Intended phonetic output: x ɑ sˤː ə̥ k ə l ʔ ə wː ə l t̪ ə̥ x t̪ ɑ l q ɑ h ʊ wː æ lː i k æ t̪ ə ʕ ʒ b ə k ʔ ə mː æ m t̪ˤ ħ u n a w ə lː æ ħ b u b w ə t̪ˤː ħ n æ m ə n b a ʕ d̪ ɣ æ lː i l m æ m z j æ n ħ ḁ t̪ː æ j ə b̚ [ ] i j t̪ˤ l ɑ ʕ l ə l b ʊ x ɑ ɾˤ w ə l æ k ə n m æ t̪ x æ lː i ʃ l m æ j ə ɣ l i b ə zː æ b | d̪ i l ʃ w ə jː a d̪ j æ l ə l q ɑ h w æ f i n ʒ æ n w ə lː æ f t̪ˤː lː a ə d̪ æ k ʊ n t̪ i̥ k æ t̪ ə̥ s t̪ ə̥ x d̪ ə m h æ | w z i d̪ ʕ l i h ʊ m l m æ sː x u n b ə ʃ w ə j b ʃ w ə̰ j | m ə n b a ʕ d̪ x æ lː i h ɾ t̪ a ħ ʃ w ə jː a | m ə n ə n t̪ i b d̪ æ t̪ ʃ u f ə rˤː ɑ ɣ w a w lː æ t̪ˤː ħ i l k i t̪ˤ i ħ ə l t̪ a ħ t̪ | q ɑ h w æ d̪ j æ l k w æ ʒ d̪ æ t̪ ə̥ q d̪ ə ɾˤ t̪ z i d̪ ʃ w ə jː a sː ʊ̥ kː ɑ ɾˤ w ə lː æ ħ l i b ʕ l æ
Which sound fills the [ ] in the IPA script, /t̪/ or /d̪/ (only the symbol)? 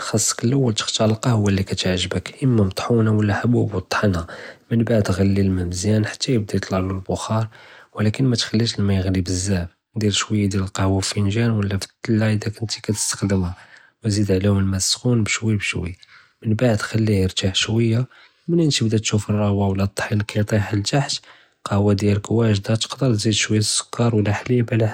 d̪